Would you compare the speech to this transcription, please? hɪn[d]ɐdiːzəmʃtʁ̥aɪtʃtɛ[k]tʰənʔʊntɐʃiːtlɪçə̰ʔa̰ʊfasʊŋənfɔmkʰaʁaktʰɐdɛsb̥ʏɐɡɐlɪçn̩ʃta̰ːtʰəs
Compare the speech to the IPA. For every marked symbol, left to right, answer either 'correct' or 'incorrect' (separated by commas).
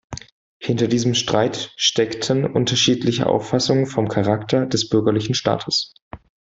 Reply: incorrect, correct